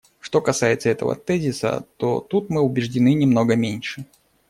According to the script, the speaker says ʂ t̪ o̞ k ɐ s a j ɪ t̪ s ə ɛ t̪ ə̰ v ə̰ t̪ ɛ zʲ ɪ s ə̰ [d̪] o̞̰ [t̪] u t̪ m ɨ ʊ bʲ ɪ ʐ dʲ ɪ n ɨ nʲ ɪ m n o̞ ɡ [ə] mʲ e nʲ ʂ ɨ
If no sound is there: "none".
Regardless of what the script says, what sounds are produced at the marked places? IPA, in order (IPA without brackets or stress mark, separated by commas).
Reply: t̪, t̪, ə